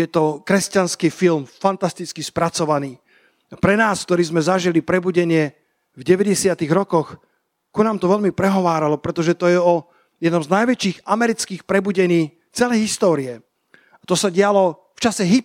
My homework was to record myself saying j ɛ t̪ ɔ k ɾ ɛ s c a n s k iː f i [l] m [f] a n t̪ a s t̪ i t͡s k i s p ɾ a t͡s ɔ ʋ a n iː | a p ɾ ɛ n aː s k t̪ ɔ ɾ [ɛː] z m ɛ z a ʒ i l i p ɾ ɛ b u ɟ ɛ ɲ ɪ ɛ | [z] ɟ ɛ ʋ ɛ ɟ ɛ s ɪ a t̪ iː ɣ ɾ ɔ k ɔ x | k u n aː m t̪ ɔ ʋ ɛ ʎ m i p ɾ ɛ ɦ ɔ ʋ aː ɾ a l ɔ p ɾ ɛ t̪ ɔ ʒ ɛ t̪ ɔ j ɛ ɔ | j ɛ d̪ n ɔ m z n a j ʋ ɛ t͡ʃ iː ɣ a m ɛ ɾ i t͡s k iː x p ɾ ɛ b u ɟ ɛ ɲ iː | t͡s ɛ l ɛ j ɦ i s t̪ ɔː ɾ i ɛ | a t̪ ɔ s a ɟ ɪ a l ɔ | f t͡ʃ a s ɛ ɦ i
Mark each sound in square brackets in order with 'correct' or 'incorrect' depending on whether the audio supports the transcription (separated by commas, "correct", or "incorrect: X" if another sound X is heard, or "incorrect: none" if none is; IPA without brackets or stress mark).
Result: correct, correct, incorrect: iː, incorrect: v